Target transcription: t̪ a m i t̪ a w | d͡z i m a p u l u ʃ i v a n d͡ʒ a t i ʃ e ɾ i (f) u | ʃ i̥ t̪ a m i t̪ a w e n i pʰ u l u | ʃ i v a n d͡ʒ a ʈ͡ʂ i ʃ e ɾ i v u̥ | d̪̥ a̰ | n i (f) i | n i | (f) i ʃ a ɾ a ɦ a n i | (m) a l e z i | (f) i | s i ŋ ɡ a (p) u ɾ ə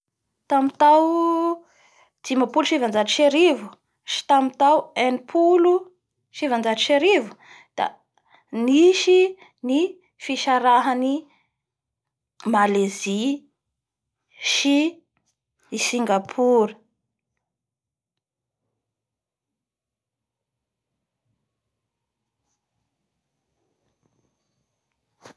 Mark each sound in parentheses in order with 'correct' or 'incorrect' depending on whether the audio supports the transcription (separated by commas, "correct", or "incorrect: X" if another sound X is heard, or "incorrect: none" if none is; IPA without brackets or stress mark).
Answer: incorrect: v, incorrect: ʃ, correct, correct, incorrect: ʃ, incorrect: pʰ